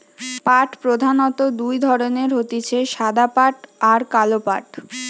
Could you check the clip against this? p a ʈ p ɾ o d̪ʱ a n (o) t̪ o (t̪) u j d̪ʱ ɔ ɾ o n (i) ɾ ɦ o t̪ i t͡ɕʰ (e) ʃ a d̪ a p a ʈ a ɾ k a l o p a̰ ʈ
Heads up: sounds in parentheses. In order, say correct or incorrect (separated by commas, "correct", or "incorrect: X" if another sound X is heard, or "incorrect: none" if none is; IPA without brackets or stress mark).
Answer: incorrect: ɔ, incorrect: d̪, incorrect: e, correct